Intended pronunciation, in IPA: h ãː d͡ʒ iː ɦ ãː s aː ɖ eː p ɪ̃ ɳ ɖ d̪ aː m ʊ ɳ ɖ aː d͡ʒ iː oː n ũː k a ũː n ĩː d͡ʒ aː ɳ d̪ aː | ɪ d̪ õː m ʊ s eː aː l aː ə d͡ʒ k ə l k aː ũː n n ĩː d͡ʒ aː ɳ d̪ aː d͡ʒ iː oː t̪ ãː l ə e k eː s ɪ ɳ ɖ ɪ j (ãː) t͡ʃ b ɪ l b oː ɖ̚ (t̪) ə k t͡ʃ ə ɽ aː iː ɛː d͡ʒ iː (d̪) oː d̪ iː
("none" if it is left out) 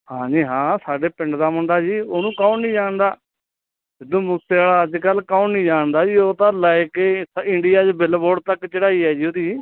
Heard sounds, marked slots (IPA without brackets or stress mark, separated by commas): aː, t̪, none